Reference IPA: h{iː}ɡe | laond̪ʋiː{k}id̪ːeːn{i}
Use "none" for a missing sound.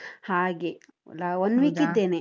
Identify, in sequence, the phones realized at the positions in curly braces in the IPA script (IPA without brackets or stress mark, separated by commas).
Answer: aː, k, e